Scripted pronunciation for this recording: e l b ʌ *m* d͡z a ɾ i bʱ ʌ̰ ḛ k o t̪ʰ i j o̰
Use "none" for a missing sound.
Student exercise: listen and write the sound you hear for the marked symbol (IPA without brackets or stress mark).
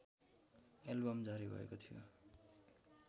m